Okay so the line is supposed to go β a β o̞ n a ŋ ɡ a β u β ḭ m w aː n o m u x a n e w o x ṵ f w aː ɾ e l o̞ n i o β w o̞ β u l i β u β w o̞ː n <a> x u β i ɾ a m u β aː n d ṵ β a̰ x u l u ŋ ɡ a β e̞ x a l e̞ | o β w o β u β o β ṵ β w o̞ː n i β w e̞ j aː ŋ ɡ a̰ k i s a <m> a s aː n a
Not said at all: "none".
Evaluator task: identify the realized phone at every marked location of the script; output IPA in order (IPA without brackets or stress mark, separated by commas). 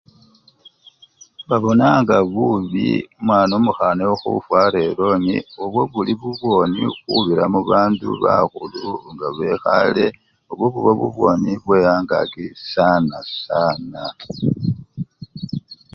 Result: i, n